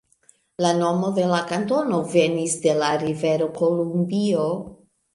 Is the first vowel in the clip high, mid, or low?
low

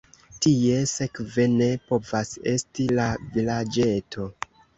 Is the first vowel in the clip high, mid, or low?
high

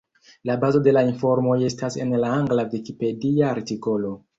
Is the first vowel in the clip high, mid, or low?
low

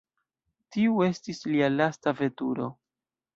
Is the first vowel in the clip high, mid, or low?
high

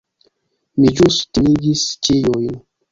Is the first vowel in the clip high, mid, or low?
high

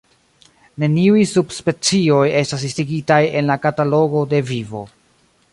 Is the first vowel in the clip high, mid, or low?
mid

